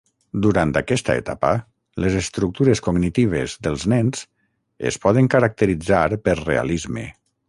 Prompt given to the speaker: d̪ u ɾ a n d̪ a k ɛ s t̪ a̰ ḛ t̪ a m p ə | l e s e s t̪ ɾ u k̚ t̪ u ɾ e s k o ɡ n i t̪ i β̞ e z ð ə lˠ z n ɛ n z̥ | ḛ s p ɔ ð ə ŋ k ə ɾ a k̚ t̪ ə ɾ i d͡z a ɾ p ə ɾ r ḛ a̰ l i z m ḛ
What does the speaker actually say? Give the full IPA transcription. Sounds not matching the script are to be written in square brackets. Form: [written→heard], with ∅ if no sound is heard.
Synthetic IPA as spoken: d̪ u ɾ a n [d̪→t̪] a k ɛ s t̪ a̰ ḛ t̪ a [m→∅] p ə | l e [s→z] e s t̪ ɾ u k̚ t̪ u ɾ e s k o ɡ n i t̪ i β̞ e z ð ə lˠ z n ɛ n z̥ | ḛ s p ɔ ð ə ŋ k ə ɾ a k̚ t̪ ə ɾ i d͡z a ɾ p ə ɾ r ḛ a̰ l i z m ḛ

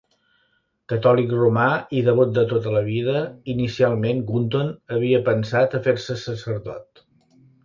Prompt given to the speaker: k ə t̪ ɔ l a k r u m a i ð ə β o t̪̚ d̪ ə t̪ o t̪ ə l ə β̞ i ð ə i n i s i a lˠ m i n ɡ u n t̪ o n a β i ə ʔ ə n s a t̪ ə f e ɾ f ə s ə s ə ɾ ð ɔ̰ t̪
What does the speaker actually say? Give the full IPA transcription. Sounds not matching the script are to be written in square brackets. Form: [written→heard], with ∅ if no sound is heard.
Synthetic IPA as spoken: k ə t̪ ɔ l [a→i] k r u m a i ð ə β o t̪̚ d̪ ə t̪ o t̪ ə l ə β̞ i ð ə i n i s i a lˠ m [i→e] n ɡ u n t̪ o n [a→ə] β i ə [ʔ→p] ə n s a t̪ ə f e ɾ [f→s] ə s ə s ə ɾ ð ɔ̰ t̪

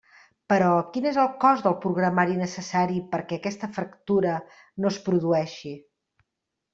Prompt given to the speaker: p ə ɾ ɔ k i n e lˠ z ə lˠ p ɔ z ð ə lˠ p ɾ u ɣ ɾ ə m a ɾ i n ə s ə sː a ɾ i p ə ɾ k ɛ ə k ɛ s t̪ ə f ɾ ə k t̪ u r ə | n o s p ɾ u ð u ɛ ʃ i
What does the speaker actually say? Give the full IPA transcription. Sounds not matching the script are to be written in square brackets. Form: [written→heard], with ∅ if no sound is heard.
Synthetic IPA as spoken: p ə ɾ ɔ k i n e [lˠ→∅] z ə lˠ [p→k] ɔ z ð ə lˠ p ɾ u ɣ ɾ ə m a ɾ i n ə s ə [sː→s] a ɾ i p ə ɾ k ɛ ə k ɛ s t̪ ə f ɾ ə k t̪ u [r→ɾ] ə | n o s p ɾ u ð u ɛ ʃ i

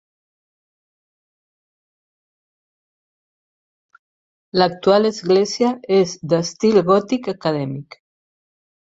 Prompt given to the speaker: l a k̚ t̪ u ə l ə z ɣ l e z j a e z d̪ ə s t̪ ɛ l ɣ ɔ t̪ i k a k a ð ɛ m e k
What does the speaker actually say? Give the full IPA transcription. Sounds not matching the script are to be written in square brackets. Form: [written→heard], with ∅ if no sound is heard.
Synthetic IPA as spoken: l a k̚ t̪ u [ə→a] l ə z ɣ l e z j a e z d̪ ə s t̪ [ɛ→i] l ɣ ɔ t̪ i k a k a ð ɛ m [e→i] k

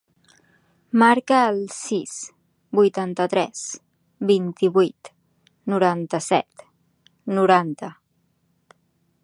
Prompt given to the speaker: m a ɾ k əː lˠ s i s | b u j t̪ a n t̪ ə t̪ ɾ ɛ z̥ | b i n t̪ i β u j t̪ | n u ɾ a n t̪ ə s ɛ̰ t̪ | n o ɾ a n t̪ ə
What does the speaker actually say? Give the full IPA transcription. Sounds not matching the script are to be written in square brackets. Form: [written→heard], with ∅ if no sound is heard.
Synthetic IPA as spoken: m a ɾ k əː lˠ s i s | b u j t̪ a n t̪ ə t̪ ɾ ɛ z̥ | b i n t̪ i β u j t̪ | n u ɾ a n t̪ ə s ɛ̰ t̪ | n [o→u] ɾ a n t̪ ə

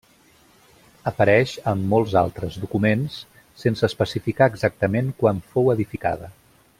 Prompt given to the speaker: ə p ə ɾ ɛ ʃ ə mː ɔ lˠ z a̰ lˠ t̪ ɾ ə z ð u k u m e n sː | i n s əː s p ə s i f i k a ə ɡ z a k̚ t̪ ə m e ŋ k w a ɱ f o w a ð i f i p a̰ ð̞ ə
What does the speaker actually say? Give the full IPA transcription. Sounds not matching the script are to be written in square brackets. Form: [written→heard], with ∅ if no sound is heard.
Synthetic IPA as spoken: ə p ə ɾ ɛ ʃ ə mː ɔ lˠ z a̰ lˠ t̪ ɾ ə z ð u k u m e n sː | [i→e] n s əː s p ə s i f i k a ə ɡ z a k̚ t̪ ə m e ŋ k w a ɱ f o w [a→ə] ð i f i [p→k] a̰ ð̞ ə

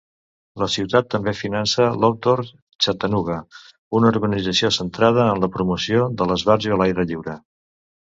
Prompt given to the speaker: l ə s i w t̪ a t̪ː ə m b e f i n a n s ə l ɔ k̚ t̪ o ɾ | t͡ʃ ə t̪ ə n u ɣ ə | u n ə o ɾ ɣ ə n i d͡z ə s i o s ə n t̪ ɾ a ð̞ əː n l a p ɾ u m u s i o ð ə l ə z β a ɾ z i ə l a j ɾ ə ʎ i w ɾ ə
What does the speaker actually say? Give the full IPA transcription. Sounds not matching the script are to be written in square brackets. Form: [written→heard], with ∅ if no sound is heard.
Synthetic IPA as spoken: l ə s i w t̪ a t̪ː ə m b e f i n a n s ə l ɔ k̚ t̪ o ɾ | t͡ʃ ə t̪ ə n u ɣ ə | u n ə [o→u] ɾ ɣ ə n i d͡z ə s i o s ə n t̪ ɾ a ð̞ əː n l [a→ə] p ɾ u m u s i o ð ə l ə z β a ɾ z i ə l a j ɾ ə ʎ i w ɾ ə

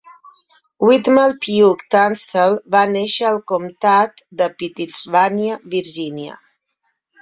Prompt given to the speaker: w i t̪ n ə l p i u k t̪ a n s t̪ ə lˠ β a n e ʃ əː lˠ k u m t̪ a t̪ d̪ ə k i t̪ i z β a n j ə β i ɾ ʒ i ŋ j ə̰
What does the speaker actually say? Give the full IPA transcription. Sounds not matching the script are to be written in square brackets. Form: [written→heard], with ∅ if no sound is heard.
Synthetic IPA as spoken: w i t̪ [n→m] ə l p i u k t̪ a n s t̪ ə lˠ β a n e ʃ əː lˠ k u m t̪ a t̪ d̪ ə [k→p] i t̪ i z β a n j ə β i ɾ ʒ i [ŋ→n] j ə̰

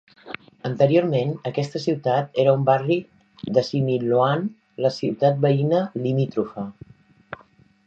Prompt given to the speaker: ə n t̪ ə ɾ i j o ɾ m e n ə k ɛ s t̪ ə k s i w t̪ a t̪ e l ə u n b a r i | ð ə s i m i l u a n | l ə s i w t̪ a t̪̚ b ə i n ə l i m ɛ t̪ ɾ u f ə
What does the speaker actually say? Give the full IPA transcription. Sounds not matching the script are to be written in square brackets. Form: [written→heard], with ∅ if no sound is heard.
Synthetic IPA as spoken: ə n t̪ ə ɾ i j o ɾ m e n ə k ɛ s t̪ ə [k→∅] s i w t̪ a t̪ e [l→ɾ] ə u [n→m] b a r i | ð ə s i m i l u a n | l ə s i w t̪ a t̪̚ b ə i n ə l i m [ɛ→i] t̪ ɾ u f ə

